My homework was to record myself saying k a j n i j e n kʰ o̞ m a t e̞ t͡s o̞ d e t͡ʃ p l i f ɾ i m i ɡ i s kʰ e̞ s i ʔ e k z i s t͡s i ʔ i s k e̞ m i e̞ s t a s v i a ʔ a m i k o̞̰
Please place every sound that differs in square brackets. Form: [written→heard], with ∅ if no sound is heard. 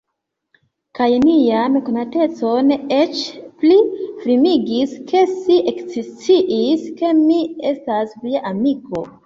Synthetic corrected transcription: k a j n i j [e→a] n [kʰ→k] o̞ [m→n] a t e̞ t͡s o̞ [d→n] e t͡ʃ p l i f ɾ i m i ɡ i s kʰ e̞ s i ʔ e k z i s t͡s i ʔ i s k e̞ m i e̞ s t a s v i a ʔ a m i k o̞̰